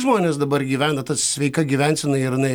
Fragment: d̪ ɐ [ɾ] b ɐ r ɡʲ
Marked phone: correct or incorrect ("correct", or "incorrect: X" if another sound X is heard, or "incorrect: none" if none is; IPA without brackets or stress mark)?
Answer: incorrect: none